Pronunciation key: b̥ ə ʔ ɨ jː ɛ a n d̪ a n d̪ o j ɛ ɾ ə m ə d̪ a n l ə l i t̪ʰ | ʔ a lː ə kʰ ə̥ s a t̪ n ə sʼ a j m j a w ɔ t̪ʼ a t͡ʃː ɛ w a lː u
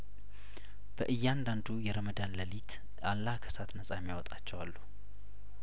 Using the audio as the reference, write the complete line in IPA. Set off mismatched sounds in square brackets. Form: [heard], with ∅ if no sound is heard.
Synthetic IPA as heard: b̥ ə ʔ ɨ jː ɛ a n d̪ a n d̪ [u] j ɛ ɾ ə m ə d̪ a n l ə l i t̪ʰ | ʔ a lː [a] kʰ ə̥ s a t̪ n ə sʼ a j m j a w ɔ t̪ʼ a t͡ʃː ɛ w a lː u